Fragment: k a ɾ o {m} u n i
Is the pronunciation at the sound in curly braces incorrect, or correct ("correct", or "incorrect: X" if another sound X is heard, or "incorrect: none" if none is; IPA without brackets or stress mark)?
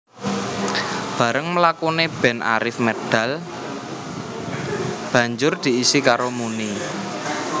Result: correct